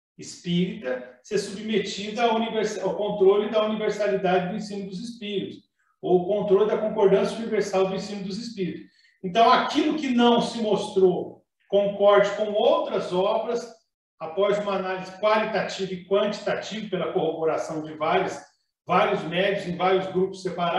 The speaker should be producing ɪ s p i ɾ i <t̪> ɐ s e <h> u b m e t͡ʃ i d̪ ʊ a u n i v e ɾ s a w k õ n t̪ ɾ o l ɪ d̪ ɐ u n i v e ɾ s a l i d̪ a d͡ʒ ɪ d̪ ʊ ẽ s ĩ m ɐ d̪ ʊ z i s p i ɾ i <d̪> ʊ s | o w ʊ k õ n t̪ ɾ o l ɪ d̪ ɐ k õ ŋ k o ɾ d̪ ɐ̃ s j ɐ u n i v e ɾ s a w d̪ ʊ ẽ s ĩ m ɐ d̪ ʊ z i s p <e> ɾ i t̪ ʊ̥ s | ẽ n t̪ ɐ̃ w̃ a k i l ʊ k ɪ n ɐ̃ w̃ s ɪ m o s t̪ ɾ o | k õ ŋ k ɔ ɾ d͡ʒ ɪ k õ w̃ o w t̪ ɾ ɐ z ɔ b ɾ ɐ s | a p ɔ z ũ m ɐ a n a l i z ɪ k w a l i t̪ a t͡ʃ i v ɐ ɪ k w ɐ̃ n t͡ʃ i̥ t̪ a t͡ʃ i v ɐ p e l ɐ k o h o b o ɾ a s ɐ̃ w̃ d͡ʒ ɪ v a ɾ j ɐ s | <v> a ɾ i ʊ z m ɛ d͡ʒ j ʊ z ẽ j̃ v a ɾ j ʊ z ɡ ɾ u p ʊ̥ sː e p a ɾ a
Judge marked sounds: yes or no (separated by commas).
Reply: yes, no, no, no, yes